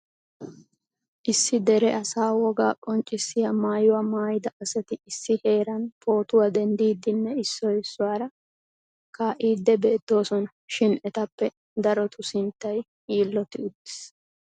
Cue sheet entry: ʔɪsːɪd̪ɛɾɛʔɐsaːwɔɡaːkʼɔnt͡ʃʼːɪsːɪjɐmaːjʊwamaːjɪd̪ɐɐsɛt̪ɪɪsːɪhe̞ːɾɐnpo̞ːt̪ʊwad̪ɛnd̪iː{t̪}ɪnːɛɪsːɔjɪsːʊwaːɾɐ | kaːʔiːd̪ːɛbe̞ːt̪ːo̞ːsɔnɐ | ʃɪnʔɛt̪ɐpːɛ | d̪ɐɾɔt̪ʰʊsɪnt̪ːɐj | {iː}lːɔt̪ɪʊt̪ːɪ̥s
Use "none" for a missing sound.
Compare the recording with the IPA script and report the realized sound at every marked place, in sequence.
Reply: d̪, iː

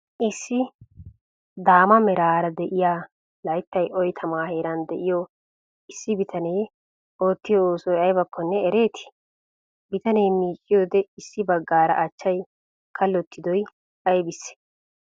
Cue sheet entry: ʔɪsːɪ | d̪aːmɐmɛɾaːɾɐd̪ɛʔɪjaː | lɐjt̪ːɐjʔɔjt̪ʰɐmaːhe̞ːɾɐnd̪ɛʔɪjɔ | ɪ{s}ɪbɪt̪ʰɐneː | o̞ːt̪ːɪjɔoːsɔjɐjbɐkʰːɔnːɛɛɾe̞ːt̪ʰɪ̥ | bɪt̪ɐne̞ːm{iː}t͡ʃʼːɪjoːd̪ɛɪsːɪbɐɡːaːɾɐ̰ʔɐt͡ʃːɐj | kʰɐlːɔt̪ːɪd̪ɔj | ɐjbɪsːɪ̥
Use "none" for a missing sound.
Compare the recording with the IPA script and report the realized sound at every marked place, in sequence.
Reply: sː, iː

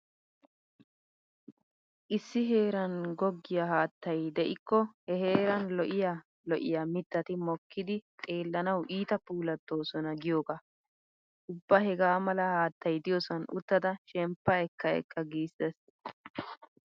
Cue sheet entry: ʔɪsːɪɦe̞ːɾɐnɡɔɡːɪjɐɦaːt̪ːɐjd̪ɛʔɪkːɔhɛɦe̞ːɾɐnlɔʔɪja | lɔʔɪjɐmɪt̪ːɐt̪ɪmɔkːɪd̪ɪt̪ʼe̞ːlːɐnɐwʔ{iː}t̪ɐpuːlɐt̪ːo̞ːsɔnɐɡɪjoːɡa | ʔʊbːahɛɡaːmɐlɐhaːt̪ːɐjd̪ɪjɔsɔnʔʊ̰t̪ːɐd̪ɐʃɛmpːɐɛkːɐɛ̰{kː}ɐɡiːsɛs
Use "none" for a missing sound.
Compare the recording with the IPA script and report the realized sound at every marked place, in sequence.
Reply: iː, kː

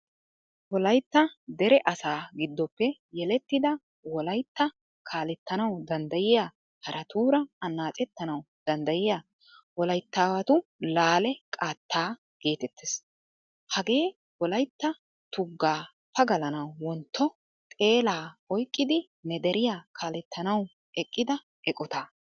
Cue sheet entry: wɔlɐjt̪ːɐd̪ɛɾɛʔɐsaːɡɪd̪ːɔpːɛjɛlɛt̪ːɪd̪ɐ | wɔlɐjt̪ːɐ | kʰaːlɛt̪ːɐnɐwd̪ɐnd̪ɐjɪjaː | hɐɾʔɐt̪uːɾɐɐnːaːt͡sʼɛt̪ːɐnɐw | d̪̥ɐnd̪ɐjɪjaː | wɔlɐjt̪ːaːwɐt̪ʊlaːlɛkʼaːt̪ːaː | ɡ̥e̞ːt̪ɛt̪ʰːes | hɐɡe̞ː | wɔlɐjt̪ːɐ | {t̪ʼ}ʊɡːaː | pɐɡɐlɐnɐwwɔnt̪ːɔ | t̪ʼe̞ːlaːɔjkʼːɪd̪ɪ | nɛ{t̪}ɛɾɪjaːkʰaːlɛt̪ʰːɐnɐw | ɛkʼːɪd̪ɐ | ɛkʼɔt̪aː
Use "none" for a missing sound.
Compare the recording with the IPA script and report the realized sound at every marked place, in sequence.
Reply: t̪, d̪

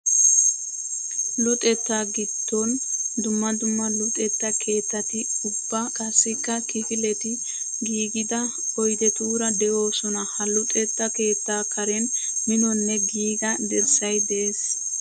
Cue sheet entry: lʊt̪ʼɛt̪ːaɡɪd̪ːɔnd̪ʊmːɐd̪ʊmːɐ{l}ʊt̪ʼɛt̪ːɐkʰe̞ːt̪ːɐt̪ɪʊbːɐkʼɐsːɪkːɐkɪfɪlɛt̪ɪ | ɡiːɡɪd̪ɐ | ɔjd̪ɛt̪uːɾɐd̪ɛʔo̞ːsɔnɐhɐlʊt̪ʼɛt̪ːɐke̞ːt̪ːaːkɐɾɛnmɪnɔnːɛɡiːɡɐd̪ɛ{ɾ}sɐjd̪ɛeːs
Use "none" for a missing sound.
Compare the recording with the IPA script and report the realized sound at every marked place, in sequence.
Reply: l, ɾ

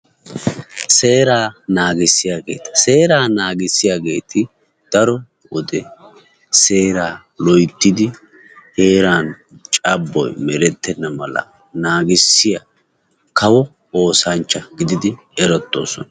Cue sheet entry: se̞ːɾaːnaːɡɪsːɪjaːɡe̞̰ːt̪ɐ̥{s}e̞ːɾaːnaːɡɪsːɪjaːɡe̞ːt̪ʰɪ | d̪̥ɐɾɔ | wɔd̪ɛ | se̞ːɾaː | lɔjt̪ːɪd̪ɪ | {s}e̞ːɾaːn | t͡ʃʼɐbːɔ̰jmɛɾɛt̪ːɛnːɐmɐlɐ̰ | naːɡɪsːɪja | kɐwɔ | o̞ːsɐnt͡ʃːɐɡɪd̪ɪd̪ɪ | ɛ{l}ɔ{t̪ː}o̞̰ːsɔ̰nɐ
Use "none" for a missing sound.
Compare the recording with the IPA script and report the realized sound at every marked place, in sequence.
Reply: s, h, ɾ, t̪ː

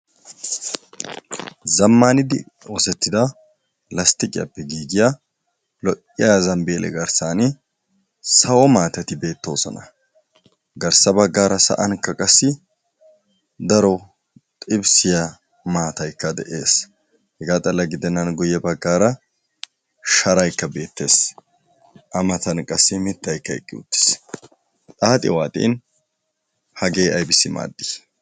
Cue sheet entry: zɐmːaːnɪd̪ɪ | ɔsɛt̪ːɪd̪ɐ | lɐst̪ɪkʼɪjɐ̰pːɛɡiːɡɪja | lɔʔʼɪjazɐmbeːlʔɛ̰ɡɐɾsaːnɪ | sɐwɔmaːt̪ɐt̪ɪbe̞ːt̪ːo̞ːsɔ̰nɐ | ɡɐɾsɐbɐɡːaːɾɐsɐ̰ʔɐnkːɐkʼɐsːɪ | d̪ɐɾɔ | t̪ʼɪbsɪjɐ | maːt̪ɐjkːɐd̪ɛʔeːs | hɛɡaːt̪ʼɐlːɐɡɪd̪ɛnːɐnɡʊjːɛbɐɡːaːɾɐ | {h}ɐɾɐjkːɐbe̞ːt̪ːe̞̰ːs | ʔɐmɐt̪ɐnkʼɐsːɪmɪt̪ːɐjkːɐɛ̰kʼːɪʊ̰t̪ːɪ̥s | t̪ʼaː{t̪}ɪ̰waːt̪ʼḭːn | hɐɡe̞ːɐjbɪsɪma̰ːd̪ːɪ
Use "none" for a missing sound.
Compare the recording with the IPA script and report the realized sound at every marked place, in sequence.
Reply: ʃ, t̪ʼ

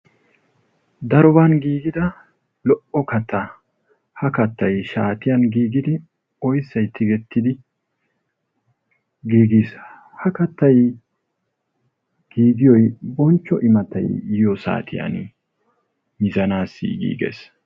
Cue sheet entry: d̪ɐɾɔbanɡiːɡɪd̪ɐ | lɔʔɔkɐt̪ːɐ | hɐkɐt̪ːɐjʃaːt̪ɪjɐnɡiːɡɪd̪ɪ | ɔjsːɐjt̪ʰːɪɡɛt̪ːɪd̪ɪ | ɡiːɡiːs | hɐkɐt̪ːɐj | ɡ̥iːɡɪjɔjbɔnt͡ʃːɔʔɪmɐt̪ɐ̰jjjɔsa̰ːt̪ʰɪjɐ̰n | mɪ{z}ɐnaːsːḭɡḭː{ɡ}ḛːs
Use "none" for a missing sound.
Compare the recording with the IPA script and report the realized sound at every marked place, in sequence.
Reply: z, ɡ

